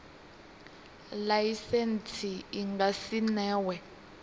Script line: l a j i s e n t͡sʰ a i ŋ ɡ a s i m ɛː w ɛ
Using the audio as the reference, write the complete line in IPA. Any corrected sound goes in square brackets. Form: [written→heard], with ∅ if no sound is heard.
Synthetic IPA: l a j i s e n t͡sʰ [a→i] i ŋ ɡ a s i [m→n] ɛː w ɛ

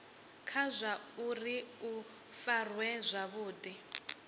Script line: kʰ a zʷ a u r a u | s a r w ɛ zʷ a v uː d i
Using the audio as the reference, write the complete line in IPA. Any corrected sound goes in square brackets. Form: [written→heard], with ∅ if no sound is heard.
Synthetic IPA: kʰ a zʷ a u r [a→i] u | [s→f] a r w ɛ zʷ a [v→β] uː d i

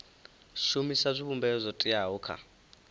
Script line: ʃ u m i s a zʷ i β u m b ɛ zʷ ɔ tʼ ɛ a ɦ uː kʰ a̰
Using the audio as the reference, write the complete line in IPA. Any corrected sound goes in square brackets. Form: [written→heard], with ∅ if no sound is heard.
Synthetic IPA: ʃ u m i s a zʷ i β u m b ɛ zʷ ɔ tʼ [ɛ→i] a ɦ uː kʰ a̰

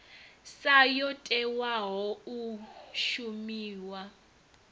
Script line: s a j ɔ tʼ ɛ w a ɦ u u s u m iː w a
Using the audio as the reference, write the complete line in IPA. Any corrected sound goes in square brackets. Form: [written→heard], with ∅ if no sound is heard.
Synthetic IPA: s a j ɔ tʼ ɛ w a ɦ [u→ɔ] u [s→ʃ] u m iː w a

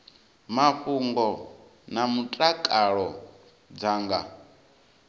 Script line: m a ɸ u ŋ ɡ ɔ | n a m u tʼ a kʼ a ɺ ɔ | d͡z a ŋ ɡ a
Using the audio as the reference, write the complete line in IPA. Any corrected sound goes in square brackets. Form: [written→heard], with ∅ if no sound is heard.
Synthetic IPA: m a ɸ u ŋ ɡ ɔ | n a m u tʼ a kʼ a ɺ ɔ | d͡z a ŋ ɡ a

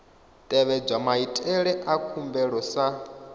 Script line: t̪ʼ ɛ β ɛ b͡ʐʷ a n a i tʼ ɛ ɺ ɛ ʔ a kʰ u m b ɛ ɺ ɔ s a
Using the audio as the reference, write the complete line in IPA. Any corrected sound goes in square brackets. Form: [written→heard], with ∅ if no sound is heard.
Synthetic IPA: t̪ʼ ɛ β ɛ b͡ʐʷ a [n→m] a i tʼ ɛ ɺ ɛ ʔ a kʰ u m b ɛ ɺ ɔ s a

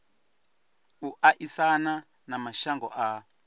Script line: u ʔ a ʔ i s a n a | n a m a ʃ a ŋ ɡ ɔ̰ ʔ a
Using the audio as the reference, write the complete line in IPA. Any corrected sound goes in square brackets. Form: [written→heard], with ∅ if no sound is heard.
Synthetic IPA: u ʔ a ʔ i s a n a | n a m a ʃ a ŋ ɡ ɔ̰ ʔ a

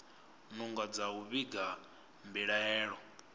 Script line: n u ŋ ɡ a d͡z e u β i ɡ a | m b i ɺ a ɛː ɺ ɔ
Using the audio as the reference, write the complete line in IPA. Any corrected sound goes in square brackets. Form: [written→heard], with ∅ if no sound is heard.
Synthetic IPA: n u ŋ ɡ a d͡z [e→a] u β i ɡ a | m b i ɺ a ɛː ɺ ɔ

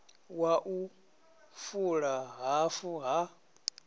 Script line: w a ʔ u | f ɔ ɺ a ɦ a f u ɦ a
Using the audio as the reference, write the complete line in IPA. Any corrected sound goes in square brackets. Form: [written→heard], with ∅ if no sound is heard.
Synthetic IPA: w a ʔ u | f [ɔ→u] ɺ a ɦ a f u ɦ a

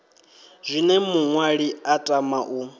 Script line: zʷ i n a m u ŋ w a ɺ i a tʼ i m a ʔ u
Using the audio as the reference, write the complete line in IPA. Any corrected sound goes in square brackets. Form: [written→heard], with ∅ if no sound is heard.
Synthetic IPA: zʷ i n [a→ɛ] m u ŋ w a ɺ i a tʼ [i→a] m a ʔ u

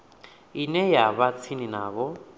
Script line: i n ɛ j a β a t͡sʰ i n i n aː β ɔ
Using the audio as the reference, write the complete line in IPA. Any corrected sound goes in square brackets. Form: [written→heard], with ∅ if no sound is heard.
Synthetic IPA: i n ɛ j a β a t͡sʰ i n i n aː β ɔ

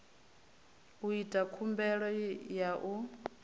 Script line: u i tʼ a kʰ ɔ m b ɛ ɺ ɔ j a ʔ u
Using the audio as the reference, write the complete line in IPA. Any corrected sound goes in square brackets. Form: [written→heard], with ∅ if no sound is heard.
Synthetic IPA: u i tʼ a kʰ [ɔ→u] m b ɛ ɺ ɔ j a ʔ u

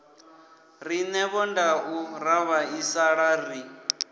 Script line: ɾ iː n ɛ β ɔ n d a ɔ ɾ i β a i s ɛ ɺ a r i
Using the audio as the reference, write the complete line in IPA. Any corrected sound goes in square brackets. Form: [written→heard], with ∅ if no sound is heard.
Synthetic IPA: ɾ [iː→i] n ɛ β ɔ n d a [ɔ→u] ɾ [i→a] β a i s [ɛ→a] ɺ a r i

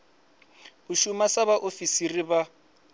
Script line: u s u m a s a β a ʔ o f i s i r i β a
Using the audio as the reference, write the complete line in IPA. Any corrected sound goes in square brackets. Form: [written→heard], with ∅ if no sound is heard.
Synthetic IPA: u [s→ʃ] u m a s a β a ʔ o f i s i r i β a

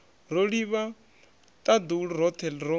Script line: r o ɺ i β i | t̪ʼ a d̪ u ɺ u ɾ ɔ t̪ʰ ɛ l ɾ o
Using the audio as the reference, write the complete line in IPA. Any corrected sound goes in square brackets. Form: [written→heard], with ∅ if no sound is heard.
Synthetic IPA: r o ɺ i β [i→a] | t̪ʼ a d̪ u ɺ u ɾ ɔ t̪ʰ ɛ l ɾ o

